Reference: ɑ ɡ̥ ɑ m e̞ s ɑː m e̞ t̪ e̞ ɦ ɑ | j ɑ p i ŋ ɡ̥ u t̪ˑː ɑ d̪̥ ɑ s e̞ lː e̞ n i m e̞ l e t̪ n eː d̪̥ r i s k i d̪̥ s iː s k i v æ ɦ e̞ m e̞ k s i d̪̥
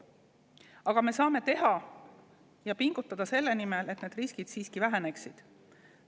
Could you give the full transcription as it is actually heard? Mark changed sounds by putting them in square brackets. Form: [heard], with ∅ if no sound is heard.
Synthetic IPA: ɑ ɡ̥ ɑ m e̞ s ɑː m e̞ t̪ e̞ ɦ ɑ | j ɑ p i ŋ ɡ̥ u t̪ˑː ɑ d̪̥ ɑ s e̞ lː e̞ n i m e̞ l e t̪ n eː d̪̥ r i s k i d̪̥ s iː s k i v æ ɦ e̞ [n] e̞ k s i d̪̥

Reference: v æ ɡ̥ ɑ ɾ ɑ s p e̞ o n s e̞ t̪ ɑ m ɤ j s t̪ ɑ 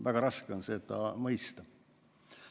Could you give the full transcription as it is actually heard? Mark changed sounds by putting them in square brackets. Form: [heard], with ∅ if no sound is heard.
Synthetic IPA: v æ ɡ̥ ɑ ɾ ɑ s [k] e̞ o n s e̞ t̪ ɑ m ɤ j s t̪ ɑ

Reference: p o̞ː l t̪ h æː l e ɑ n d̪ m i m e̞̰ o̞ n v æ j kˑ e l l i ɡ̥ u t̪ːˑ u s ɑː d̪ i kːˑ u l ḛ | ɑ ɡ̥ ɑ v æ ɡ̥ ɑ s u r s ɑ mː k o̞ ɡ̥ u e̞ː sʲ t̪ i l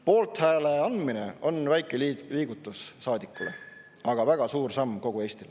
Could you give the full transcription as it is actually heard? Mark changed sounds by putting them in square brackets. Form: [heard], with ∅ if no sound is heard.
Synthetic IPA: p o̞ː l t̪ h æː l e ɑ n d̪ m i [n] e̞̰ o̞ n v æ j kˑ e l l [iː] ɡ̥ u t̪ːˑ u [sː] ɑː d̪ i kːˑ u l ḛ | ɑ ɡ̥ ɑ v æ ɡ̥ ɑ s [uː] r s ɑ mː k o̞ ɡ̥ u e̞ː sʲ t̪ i l

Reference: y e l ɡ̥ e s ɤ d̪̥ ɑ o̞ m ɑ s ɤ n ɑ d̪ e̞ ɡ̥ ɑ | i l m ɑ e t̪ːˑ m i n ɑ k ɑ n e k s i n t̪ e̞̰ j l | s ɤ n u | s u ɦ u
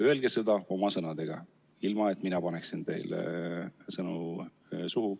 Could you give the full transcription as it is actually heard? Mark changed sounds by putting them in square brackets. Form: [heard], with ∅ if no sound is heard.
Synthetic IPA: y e l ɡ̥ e s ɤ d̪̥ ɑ o̞ m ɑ s ɤ n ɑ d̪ e̞ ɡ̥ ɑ | i l m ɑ e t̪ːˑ m i n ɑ [p] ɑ n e k s i n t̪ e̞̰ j l | s ɤ n u | s u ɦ u

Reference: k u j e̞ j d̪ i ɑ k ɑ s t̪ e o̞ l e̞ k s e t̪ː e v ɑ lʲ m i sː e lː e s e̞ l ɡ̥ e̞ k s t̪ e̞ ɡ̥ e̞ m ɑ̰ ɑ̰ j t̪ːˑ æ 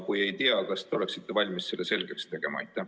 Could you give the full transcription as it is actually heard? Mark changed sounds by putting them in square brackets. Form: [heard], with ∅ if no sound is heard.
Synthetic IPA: k u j e̞ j [t̪] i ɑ k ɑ s t̪ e o̞ l e̞ k s [i] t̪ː e v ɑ lʲ m i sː e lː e s e̞ l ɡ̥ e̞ k s t̪ e̞ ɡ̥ e̞ m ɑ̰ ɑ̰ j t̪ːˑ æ

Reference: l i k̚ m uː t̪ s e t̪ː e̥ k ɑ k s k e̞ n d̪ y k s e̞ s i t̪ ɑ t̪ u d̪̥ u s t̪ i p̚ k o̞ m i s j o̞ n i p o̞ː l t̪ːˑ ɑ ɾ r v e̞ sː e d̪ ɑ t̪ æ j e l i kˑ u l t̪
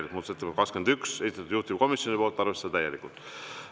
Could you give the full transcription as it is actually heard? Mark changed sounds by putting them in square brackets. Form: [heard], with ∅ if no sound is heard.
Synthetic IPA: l i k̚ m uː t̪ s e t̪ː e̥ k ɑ k s k e̞ n d̪ y k s e̞ s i t̪ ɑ t̪ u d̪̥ u [h] t̪ i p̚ k o̞ m i s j o̞ n i p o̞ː l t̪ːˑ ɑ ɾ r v e̞ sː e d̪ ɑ t̪ æ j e l i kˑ u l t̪

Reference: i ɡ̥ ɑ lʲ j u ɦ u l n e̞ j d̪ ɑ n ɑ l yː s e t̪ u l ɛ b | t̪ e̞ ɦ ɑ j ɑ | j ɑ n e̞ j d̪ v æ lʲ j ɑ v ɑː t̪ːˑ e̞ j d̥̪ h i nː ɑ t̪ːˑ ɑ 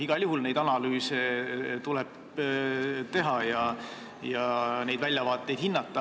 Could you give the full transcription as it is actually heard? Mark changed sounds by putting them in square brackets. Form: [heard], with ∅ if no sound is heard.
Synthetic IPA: i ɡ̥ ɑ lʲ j u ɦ u l n e̞ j d̪ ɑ n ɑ l yː s e t̪ u l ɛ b | t̪ e̞ ɦ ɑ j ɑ | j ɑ n e̞ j d̪ v æ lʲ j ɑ v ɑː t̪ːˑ e̞ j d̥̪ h i nː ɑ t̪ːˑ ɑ

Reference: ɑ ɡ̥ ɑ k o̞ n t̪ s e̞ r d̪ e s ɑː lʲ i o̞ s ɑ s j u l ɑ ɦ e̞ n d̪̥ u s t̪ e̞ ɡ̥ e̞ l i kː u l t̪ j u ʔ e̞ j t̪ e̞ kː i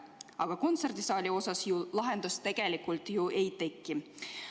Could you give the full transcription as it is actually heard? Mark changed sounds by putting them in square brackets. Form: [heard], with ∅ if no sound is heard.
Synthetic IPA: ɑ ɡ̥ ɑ k o̞ n t̪ s e̞ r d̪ [i] s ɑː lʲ i o̞ s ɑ s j u l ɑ ɦ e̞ n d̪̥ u s t̪ e̞ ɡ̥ e̞ l i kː u l t̪ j u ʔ e̞ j t̪ e̞ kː i

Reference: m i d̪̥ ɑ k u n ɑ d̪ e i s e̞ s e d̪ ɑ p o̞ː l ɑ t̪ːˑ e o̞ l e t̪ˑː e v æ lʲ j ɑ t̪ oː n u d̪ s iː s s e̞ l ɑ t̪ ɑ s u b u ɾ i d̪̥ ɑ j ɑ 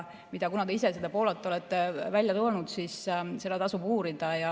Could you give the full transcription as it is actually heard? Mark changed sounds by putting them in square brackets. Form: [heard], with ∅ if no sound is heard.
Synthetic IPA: m i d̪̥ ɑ k u n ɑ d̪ e i s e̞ s e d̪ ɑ p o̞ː l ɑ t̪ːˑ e o̞ l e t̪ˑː e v æ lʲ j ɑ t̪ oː n u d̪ s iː s s e̞ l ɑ t̪ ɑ s u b [uː] ɾ i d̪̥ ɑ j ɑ

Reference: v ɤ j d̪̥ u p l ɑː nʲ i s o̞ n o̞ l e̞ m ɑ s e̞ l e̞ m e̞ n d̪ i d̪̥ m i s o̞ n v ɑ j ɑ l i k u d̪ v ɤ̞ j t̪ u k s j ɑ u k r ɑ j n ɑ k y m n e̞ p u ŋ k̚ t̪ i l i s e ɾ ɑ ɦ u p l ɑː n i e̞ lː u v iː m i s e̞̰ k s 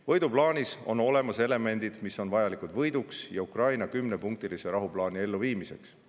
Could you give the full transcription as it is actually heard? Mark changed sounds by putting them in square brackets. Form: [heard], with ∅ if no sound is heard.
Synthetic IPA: v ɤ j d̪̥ u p l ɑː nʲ i s o̞ n o̞ l e̞ m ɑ s e̞ l e̞ m e̞ n d̪ i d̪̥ m i s o̞ n v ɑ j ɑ l i k u d̪ v ɤ̞ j [d̪] u k s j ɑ u k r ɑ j n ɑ k y m n e̞ p u ŋ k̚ t̪ i l i s e ɾ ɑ ɦ u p l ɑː n i e̞ lː u v iː m i s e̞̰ k s

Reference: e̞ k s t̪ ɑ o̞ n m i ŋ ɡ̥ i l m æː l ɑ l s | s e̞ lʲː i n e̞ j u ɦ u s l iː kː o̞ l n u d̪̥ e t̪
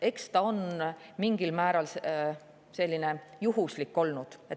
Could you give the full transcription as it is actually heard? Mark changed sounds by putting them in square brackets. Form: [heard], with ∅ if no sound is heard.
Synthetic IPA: e̞ k s t̪ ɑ o̞ n m i ŋ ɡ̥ i l m æː [ɾ] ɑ l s | s e̞ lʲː i n e̞ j u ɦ u s l [i] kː o̞ l n u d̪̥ e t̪

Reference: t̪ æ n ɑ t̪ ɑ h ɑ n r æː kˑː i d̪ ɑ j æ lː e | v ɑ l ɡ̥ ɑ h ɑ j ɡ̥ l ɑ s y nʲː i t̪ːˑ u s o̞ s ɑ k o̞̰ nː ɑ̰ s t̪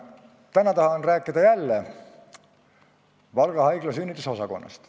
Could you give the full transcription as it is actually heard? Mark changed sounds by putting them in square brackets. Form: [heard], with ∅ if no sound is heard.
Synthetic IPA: t̪ æ n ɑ t̪ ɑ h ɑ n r æː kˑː i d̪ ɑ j æ lː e | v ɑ l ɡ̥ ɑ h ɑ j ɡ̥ l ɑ s y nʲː i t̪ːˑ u s o̞ s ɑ k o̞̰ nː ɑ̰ s t̪

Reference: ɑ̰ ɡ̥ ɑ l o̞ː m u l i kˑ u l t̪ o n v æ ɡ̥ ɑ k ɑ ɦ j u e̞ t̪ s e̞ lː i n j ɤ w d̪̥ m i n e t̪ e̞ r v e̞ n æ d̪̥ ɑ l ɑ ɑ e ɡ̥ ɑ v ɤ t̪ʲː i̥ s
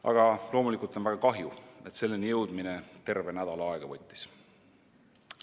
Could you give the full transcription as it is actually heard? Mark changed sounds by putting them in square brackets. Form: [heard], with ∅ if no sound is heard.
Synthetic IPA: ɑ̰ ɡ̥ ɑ l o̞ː m u l i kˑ u l t̪ o n v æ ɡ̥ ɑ k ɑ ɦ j u e̞ t̪ s e̞ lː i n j ɤ w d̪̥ m i n e t̪ e̞ r v e̞ n æ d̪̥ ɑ l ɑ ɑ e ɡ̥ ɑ v ɤ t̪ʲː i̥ s

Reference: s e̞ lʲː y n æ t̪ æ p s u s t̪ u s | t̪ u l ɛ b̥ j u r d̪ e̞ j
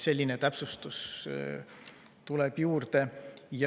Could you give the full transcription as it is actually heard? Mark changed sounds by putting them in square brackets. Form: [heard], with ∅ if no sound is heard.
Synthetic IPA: s e̞ lʲː [i] n [e] t̪ æ p s u s t̪ u s | t̪ u l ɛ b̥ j [uː] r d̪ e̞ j

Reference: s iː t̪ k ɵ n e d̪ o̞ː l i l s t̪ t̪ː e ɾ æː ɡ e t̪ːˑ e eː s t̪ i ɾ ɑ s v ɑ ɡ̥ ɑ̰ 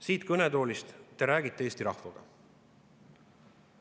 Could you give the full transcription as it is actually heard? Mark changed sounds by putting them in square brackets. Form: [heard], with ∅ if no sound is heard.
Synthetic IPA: s iː t̪ k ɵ n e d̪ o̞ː l i [∅] s t̪ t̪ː e ɾ æː ɡ [i] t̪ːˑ e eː s t̪ i ɾ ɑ [h] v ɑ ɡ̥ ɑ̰

